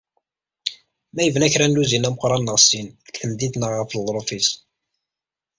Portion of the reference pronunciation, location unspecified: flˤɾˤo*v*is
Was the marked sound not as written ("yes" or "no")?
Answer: yes